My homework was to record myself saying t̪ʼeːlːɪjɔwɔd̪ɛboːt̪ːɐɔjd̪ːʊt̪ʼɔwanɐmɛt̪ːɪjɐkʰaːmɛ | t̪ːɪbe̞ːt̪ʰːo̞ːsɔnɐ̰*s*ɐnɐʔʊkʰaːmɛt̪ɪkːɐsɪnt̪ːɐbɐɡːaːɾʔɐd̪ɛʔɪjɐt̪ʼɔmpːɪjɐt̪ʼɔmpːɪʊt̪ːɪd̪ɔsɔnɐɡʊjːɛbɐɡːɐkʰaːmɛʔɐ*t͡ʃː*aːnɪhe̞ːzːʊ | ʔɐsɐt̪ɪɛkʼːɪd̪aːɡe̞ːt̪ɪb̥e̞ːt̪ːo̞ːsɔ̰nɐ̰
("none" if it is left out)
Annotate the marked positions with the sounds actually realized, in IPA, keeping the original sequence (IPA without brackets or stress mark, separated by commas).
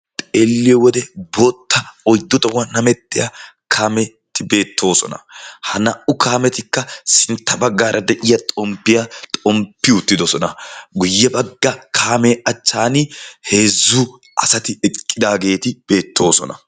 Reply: h, t͡ʃː